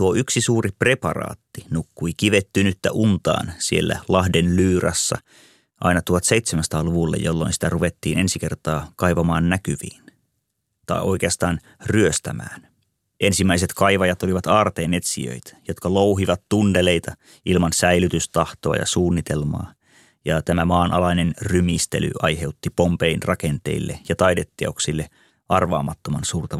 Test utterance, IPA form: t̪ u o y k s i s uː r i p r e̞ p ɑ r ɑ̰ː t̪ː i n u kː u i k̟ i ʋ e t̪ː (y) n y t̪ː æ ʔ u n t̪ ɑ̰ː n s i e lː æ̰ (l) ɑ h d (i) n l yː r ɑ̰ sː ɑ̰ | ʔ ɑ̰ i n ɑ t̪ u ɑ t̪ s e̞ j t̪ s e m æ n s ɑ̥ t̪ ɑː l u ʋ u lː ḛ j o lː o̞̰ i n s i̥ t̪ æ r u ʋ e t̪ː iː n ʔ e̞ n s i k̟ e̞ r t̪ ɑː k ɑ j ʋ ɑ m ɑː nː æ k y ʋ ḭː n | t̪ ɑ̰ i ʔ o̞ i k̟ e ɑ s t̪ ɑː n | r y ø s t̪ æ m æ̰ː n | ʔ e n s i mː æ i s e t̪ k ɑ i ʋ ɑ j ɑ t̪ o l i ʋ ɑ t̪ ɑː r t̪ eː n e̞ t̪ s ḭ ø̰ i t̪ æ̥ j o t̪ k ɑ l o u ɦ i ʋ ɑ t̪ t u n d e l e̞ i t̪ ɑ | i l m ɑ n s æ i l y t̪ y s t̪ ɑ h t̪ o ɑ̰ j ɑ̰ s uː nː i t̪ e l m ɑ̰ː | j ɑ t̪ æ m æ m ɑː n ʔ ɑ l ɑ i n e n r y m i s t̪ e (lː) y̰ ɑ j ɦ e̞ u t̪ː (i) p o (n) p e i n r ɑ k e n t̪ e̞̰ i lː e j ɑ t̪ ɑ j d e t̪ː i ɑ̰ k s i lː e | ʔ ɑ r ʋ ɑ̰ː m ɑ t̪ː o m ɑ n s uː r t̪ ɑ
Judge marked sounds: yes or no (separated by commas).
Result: yes, yes, no, no, yes, no